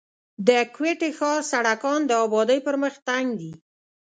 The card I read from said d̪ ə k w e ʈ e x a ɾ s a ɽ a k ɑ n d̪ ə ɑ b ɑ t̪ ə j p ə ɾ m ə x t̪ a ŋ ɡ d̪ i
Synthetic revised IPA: d̪ ə k w e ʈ e x ɑ ɾ s a ɽ a k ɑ n d̪ ə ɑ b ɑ d̪ ə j p ə ɾ m ə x t̪ a ŋ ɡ d̪ i